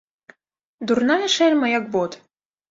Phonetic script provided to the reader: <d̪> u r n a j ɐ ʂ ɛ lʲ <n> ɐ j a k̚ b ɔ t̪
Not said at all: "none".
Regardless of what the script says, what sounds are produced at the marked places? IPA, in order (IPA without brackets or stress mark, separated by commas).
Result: d̪, m